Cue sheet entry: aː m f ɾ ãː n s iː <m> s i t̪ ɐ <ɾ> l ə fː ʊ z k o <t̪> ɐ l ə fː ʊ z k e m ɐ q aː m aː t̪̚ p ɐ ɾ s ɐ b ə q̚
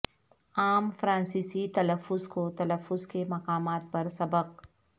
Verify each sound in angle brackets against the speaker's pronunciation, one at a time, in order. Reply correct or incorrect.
incorrect: none, incorrect: none, correct

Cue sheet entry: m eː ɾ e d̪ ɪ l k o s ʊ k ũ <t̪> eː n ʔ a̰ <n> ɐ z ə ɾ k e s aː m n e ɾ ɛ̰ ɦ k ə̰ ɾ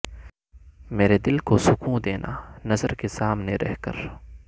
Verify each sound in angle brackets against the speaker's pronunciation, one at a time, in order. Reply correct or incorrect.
incorrect: d̪, correct

